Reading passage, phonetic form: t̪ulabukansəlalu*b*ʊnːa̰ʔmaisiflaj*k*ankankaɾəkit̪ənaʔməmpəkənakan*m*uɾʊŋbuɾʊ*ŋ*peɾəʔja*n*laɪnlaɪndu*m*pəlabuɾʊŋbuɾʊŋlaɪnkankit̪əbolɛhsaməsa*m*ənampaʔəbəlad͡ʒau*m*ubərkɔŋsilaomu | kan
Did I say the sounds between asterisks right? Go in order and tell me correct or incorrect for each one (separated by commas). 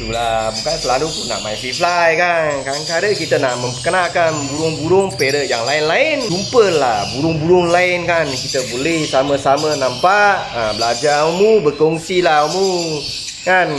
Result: incorrect, correct, incorrect, correct, incorrect, correct, correct, correct